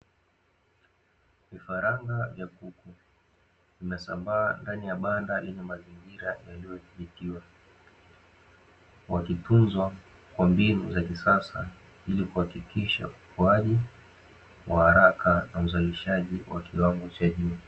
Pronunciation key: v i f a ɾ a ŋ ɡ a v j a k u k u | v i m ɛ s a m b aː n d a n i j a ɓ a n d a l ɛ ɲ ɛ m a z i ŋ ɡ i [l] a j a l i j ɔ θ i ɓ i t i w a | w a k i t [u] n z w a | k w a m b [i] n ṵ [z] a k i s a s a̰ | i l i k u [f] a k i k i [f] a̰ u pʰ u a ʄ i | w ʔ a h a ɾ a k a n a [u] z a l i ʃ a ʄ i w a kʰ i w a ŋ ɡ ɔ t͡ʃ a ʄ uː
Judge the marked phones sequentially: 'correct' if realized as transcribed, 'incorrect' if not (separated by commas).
incorrect, correct, correct, correct, incorrect, incorrect, correct